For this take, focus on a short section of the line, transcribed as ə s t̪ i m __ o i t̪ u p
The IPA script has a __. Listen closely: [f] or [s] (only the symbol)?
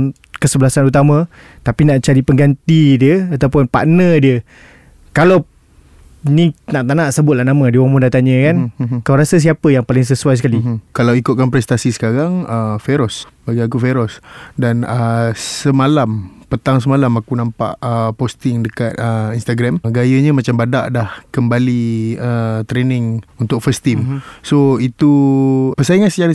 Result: s